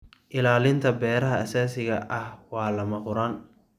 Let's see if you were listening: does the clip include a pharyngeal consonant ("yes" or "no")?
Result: no